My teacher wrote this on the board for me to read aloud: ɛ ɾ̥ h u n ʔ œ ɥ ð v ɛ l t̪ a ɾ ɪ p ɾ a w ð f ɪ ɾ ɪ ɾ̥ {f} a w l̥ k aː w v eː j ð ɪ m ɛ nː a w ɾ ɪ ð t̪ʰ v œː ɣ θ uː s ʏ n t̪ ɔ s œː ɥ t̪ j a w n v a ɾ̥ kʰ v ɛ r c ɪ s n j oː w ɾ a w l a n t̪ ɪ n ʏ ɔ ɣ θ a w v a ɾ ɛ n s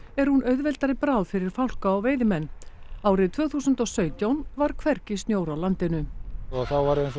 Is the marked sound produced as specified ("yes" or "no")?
yes